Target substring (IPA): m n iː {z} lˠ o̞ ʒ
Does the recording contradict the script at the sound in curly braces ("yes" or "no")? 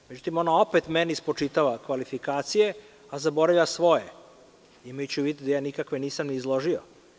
no